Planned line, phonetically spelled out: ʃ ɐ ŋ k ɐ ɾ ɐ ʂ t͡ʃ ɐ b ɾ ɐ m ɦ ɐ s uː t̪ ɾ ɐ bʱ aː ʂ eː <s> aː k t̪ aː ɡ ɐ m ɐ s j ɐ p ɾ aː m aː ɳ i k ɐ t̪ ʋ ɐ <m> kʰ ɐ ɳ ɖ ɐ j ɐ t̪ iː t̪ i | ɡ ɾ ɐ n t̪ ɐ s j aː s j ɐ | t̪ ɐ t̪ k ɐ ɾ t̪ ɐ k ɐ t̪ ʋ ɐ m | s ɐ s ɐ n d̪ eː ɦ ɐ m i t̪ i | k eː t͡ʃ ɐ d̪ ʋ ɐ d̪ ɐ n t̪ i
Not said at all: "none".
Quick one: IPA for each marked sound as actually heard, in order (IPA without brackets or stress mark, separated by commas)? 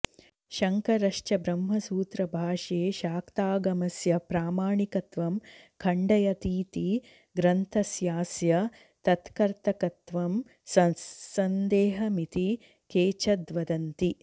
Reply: ʃ, m